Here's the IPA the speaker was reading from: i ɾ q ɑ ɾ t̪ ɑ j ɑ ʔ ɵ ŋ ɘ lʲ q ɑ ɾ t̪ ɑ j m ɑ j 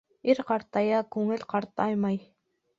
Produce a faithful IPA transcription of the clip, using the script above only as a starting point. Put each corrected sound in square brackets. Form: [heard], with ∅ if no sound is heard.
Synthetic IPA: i ɾ q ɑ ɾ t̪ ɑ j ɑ [k] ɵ ŋ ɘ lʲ q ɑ ɾ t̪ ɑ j m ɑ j